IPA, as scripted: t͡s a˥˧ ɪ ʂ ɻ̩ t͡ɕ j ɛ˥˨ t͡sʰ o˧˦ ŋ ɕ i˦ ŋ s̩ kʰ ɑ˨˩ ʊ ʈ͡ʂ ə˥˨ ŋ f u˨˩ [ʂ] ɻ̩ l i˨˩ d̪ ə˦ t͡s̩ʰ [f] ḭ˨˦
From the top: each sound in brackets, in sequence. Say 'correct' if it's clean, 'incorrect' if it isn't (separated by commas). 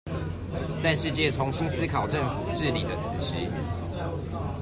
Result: incorrect, incorrect